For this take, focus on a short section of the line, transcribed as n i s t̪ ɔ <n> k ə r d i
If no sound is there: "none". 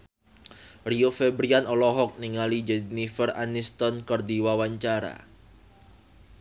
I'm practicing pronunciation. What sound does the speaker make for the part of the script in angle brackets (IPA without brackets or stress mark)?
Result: n